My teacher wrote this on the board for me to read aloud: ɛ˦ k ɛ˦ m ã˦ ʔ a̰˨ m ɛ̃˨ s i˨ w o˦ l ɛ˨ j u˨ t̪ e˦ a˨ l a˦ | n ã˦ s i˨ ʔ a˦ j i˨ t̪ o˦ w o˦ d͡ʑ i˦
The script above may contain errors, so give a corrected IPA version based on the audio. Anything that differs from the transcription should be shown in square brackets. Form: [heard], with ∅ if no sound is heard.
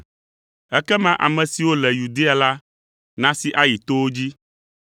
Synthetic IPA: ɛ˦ k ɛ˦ m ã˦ ʔ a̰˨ m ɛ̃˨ s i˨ w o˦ l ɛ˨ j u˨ [d̪] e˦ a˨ l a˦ | n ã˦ s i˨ ʔ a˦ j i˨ t̪ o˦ w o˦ d͡ʑ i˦